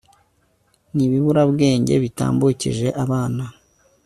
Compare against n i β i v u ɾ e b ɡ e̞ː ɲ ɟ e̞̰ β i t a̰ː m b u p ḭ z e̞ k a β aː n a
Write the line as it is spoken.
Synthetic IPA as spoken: n i β i β u ɾ a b ɡ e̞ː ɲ ɟ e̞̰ β i t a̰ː m b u c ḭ ʒ e̞ ʔ a β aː n a